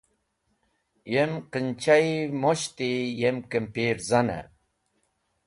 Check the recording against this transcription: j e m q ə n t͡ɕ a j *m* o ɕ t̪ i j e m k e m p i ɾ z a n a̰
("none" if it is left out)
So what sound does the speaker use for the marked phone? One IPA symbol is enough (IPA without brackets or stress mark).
m